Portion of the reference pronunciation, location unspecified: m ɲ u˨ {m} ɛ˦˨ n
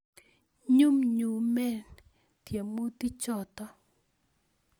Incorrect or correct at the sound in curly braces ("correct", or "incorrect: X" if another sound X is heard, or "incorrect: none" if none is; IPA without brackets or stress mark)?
correct